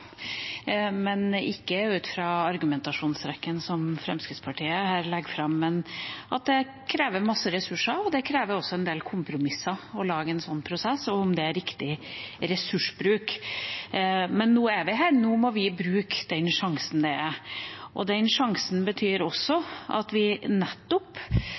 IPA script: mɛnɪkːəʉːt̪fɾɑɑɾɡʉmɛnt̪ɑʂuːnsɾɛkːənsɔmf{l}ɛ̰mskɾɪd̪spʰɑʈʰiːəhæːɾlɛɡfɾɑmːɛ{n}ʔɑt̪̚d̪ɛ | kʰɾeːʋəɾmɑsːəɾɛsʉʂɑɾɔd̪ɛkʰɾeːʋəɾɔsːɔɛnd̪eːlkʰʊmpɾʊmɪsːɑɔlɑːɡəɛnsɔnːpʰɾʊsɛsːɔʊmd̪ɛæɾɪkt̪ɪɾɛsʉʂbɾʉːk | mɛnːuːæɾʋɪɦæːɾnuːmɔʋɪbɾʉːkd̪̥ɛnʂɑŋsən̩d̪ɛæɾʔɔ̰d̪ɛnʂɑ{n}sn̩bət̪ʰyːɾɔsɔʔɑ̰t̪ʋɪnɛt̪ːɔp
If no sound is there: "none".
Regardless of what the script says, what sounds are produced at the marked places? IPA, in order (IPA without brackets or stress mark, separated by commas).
ɾ, n, ŋ